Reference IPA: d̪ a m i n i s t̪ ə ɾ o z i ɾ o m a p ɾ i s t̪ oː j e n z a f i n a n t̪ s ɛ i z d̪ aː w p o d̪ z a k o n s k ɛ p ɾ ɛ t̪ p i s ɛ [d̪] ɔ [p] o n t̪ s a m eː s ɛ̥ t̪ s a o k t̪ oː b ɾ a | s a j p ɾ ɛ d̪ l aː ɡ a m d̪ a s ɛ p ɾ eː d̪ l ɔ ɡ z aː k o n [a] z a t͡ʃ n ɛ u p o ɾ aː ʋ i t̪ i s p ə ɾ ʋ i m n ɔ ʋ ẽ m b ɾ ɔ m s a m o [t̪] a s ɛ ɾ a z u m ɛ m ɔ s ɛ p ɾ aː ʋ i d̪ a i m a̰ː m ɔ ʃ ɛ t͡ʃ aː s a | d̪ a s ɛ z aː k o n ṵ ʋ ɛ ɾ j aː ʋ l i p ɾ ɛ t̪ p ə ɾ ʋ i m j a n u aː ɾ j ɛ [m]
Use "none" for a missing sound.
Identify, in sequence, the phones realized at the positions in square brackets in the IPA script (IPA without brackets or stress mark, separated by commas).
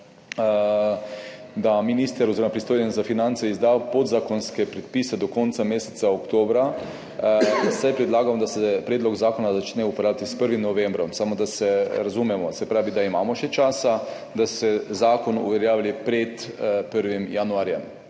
d̪, k, a, d̪, m